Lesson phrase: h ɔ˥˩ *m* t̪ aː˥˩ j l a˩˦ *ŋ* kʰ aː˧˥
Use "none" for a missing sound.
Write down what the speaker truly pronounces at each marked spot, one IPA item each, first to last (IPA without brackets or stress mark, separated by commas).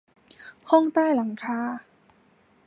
ŋ, ŋ